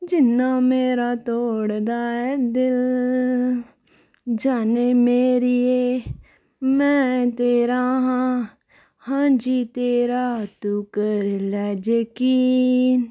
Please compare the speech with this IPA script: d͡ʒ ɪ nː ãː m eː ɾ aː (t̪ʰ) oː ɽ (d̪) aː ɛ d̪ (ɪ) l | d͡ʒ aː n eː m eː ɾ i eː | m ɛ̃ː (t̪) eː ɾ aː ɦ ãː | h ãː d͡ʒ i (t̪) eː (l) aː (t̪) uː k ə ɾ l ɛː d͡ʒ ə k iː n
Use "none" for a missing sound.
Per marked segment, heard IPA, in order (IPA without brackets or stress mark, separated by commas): t̪, d̪, ɪ, t̪, t̪, ɾ, t̪